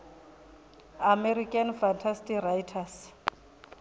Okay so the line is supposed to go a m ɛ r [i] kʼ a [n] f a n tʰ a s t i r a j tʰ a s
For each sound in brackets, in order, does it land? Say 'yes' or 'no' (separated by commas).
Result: yes, yes